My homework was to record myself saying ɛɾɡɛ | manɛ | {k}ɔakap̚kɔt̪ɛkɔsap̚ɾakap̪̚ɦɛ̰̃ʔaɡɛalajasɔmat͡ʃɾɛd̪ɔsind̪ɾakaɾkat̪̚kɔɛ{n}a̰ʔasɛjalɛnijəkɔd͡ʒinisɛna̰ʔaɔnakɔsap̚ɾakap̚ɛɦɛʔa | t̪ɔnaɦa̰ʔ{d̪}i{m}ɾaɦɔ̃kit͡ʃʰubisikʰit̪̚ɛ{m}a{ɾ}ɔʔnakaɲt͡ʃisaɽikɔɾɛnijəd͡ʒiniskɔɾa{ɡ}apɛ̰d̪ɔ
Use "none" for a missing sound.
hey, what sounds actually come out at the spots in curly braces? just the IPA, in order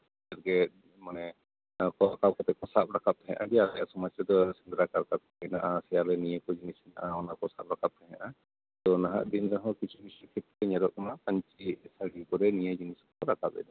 k, n, d̪, n, ɲ, ɾ, k

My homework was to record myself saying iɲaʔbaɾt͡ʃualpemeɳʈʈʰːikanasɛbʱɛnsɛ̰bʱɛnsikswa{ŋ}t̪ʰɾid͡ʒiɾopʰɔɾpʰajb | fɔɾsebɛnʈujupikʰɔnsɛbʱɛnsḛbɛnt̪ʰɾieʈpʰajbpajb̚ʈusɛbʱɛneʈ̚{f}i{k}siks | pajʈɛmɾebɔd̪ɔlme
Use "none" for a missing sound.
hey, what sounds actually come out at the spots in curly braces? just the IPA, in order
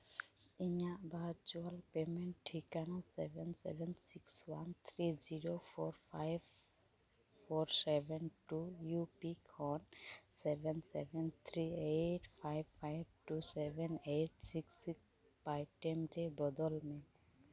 n, s, k

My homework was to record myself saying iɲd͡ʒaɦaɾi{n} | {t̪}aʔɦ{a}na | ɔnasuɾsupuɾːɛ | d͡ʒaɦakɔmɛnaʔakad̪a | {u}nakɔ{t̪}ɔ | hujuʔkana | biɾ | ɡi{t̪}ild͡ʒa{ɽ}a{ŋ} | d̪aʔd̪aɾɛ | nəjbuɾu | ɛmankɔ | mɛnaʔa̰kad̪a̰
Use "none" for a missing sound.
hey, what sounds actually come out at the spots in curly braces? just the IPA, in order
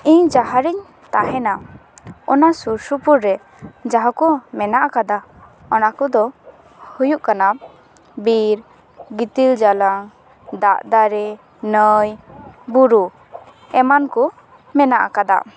ɲ, t̪, ɛ, ɔ, d̪, t̪, l, ŋ

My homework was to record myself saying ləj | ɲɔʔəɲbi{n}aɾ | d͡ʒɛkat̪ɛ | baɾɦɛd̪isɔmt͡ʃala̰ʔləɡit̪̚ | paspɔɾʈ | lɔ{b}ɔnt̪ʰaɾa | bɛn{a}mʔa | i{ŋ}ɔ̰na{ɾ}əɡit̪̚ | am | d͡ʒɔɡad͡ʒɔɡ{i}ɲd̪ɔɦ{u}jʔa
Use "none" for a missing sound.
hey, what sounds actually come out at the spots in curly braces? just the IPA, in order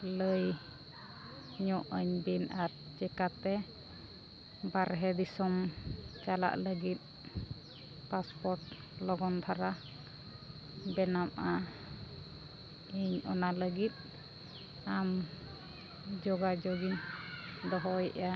n, ɡ, a, ɲ, l, i, ɔ

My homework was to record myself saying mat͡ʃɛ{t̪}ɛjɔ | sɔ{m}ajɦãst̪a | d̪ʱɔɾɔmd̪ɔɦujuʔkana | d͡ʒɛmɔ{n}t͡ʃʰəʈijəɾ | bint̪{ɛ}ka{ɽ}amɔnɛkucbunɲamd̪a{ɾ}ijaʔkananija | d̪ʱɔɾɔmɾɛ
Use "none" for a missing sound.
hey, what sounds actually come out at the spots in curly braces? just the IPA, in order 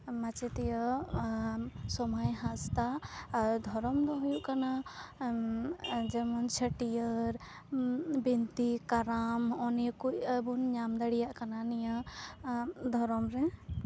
t̪, m, n, i, ɾ, ɽ

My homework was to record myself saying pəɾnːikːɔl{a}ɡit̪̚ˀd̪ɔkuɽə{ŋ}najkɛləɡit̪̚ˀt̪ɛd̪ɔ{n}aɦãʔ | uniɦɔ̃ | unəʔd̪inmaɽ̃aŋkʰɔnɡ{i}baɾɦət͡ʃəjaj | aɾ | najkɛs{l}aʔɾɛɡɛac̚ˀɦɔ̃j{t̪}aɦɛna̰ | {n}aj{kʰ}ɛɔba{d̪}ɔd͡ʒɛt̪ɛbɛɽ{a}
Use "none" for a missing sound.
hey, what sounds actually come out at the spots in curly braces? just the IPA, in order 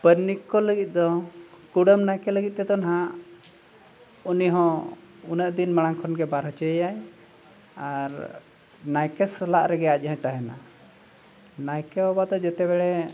ə, m, n, ɛ, l, t̪, n, k, d̪, ɛ

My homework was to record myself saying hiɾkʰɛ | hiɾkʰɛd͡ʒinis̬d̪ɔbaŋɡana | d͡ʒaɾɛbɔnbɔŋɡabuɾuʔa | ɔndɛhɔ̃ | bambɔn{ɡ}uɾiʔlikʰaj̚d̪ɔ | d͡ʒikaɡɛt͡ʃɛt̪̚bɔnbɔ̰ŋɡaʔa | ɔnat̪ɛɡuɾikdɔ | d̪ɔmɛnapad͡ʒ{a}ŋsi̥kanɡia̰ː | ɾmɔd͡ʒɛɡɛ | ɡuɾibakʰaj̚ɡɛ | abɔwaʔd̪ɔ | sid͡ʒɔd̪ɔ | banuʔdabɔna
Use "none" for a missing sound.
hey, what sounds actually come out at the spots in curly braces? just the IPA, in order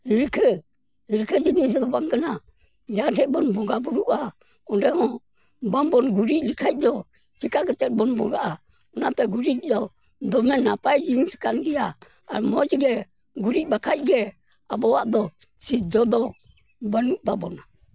ɡ, i

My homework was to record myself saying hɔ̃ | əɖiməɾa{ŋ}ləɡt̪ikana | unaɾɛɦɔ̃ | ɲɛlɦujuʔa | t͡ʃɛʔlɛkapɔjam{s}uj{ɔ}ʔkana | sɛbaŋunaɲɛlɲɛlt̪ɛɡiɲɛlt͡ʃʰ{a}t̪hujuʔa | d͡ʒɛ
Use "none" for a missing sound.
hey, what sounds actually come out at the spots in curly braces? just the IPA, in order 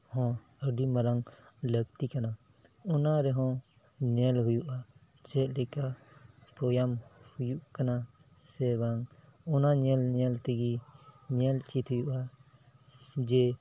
ŋ, h, u, i

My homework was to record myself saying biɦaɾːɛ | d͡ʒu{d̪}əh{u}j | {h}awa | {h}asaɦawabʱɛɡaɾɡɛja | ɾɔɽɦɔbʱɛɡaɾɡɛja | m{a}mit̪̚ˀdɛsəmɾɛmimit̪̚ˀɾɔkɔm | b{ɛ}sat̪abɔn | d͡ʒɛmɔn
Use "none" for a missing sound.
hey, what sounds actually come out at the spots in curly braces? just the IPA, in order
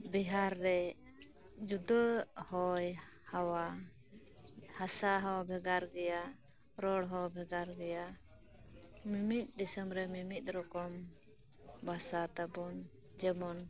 d̪, ɔ, h, h, i, a

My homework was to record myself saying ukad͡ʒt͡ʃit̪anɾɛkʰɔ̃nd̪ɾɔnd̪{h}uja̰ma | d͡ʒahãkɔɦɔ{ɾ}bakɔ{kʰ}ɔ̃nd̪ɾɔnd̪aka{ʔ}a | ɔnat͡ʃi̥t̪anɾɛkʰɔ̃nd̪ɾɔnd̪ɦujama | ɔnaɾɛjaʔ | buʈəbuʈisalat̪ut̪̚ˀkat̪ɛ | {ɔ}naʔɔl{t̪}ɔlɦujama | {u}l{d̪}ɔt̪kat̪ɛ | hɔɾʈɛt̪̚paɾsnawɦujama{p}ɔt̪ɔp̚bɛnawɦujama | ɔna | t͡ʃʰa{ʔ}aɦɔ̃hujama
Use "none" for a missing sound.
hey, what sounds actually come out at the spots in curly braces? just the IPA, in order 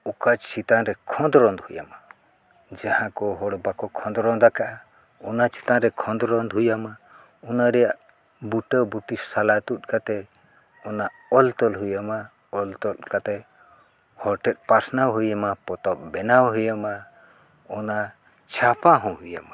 h, ɽ, kʰ, ʔ, ɔ, t̪, ɔ, t̪, p, p

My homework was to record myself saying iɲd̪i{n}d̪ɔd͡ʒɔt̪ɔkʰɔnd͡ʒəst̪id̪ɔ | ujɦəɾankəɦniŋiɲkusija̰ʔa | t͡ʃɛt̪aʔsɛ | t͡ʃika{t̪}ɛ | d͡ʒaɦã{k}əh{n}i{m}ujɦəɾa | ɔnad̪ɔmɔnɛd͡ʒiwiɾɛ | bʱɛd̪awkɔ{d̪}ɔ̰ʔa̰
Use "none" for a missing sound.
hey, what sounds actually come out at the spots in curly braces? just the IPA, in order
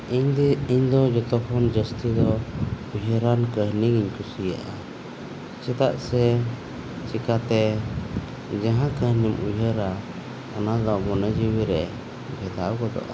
ɲ, t̪, k, n, m, d̪

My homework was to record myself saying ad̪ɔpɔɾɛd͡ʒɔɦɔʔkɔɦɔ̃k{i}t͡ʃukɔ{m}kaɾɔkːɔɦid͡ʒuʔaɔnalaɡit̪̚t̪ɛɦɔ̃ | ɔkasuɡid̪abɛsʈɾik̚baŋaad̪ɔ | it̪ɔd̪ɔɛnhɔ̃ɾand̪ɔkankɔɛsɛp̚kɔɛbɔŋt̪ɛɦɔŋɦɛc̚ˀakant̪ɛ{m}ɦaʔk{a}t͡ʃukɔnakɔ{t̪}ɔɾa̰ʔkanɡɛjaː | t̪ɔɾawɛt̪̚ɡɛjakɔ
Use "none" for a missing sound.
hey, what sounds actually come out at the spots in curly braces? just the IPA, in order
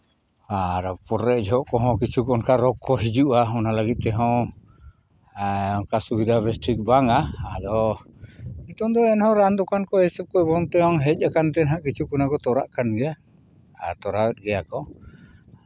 i, n, n, i, t̪

